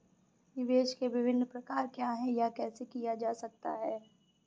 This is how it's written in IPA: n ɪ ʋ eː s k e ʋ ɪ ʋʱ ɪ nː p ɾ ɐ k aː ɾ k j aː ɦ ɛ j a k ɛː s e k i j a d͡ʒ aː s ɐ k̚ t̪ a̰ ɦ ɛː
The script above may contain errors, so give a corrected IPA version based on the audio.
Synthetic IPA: n ɪ ʋ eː ʃ k e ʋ ɪ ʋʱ ɪ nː p ɾ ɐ k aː ɾ k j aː ɦ ɛ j a k ɛː s e k i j a d͡ʒ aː s ɐ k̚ t̪ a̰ ɦ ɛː